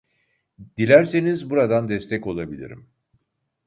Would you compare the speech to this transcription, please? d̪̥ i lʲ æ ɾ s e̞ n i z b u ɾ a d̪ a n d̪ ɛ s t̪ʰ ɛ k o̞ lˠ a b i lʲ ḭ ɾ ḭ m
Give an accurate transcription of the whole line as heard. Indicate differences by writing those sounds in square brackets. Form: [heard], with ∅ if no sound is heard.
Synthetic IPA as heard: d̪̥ i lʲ æ ɾ s e̞ n i z b u ɾ a d̪ a n d̪ ɛ s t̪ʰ ɛ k o̞ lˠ a b i lʲ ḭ ɾ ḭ m